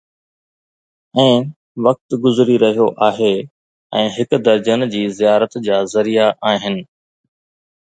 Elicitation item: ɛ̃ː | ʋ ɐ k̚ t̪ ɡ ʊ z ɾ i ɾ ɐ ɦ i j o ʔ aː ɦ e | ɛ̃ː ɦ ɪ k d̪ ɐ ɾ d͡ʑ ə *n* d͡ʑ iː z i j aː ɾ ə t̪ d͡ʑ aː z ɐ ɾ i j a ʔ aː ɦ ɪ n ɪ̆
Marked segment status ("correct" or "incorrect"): correct